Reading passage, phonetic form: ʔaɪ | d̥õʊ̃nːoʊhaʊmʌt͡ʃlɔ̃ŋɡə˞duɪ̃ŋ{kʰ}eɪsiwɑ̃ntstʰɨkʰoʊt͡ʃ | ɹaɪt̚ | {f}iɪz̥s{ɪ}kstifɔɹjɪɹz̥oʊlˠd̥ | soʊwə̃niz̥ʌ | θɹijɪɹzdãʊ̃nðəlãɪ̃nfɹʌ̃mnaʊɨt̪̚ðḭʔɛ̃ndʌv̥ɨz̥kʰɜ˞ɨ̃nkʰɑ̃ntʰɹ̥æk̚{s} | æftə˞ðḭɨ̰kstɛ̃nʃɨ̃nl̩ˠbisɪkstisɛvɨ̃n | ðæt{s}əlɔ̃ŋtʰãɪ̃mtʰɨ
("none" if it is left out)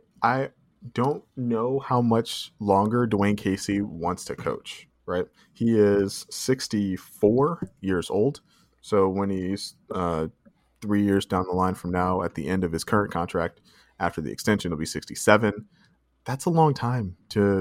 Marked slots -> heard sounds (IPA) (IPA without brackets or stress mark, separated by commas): kʰ, h, ɪ, t, s